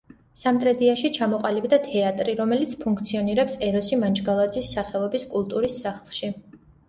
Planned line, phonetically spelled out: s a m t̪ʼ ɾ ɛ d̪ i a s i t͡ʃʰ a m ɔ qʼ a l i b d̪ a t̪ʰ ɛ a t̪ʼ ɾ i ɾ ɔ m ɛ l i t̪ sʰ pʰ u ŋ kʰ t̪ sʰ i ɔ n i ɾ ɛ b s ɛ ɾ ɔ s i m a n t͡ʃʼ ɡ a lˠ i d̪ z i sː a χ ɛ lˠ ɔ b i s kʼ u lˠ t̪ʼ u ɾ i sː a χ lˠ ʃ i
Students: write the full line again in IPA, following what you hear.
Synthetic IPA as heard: s a m t̪ʼ ɾ ɛ d̪ i a ʃ i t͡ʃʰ a m ɔ qʼ a l i b d̪ a t̪ʰ ɛ a t̪ʼ ɾ i ɾ ɔ m ɛ l i t̪ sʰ pʰ u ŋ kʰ t̪ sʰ i ɔ n i ɾ ɛ p s ɛ ɾ ɔ s i m a n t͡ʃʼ ɡ a lˠ a d̪ z i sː a χ ɛ lˠ ɔ b i s kʼ u lˠ t̪ʼ u ɾ i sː a χ lˠ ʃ i